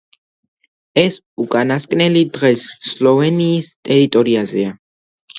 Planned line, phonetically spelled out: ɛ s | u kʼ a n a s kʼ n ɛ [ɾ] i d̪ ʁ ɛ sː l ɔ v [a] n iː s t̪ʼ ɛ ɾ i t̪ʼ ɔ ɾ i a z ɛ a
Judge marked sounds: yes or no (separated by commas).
no, no